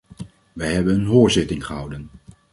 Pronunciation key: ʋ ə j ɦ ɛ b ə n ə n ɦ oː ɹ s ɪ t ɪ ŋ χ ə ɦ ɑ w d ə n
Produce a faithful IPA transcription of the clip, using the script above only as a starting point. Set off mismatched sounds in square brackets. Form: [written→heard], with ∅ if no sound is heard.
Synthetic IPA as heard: ʋ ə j ɦ ɛ b ə n ə n ɦ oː ɹ [s→z] ɪ t ɪ ŋ χ ə ɦ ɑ w d ə n